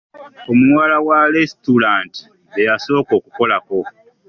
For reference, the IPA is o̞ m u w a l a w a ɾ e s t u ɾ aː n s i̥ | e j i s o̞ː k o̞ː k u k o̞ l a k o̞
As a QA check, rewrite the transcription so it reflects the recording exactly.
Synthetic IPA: o̞ m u w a l a w a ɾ e s t u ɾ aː n t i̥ | e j a s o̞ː k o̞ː k u k o̞ l a k o̞